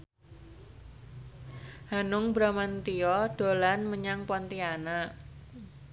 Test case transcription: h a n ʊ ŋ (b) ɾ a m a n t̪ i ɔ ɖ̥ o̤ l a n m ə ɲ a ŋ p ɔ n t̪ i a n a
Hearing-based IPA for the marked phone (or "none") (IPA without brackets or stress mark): b